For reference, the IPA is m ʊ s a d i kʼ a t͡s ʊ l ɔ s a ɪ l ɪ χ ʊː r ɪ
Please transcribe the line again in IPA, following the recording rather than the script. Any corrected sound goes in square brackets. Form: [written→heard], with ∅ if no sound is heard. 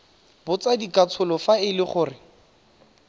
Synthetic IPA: [m→b] ʊ [s→t͡s] a d i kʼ a [t͡s→t͡sʰ] ʊ l ɔ [s→f] a ɪ l ɪ χ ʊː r ɪ